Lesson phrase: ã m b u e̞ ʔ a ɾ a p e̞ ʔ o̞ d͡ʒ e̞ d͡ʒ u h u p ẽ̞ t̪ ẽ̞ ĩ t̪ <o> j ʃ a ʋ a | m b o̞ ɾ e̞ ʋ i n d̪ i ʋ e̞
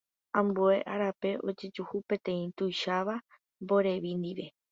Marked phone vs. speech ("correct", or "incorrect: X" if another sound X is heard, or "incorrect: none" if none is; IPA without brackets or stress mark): incorrect: u